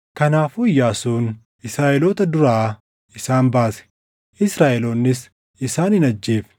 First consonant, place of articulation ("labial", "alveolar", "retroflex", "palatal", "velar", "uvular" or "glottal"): velar